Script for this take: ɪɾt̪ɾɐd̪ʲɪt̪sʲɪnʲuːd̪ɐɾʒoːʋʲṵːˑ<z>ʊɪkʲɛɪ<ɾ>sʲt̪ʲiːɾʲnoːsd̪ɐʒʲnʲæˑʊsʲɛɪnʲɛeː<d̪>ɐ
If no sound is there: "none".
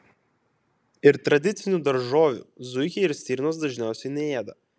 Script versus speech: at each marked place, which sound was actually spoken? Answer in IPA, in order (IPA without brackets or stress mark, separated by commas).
z, ɾ, d̪